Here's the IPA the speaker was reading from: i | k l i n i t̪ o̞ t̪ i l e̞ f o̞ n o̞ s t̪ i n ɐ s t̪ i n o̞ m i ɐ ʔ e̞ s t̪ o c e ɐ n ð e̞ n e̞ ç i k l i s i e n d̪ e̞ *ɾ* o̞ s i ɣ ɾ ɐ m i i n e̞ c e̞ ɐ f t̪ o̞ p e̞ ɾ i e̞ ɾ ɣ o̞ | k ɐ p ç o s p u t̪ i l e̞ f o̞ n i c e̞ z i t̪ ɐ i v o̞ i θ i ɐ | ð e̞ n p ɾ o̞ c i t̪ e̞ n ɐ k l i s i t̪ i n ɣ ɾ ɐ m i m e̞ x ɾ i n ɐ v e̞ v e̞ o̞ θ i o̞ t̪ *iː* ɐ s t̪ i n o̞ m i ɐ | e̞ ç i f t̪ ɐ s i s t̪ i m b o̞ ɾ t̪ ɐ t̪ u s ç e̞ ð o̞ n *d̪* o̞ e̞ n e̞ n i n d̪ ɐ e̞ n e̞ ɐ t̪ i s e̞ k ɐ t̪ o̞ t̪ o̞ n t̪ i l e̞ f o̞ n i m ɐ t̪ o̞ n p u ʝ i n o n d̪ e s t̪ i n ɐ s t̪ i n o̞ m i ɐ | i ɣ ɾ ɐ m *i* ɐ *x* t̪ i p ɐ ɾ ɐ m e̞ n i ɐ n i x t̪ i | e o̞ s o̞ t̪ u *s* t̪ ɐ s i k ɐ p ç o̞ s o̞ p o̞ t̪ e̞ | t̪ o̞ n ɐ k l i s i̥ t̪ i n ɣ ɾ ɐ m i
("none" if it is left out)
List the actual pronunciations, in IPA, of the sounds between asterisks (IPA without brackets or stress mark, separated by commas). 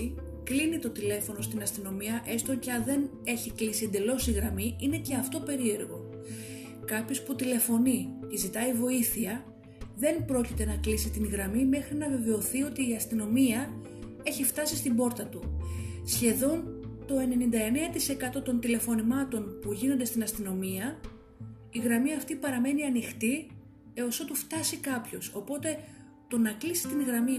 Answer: l, iː, t̪, i, f, f